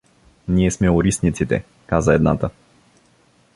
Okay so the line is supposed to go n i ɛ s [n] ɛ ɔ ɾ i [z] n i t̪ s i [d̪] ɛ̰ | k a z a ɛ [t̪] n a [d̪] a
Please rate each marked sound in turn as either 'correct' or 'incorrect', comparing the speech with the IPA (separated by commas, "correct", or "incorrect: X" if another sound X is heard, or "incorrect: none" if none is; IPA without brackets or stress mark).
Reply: incorrect: m, incorrect: s, incorrect: t̪, incorrect: d̪, incorrect: t̪